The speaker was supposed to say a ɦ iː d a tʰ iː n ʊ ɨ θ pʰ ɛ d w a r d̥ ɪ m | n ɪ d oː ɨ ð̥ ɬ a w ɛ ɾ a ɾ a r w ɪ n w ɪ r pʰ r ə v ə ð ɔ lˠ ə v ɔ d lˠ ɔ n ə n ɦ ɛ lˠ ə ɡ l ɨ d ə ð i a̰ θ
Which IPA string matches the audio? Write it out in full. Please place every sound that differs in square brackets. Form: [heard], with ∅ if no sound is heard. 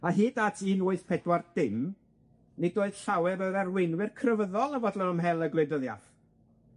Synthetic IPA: a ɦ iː d a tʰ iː n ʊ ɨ θ pʰ ɛ d w a r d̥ ɪ m | n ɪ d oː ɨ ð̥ ɬ a w ɛ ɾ [ə] ɾ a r w ɪ n w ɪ r [kʰ] r ə v ə ð ɔ lˠ ə v ɔ d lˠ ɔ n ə [m] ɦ ɛ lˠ ə ɡ l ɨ d ə ð [j] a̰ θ